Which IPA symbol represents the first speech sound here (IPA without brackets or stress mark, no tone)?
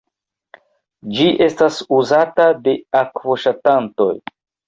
d͡ʒ